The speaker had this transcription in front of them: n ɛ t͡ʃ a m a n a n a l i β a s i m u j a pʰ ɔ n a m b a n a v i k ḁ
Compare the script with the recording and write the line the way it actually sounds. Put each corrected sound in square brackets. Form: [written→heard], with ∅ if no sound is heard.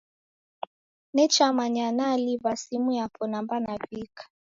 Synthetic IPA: n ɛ t͡ʃ a m a [n→ɲ] a n a l i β a s i m u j a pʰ ɔ n a m b a n a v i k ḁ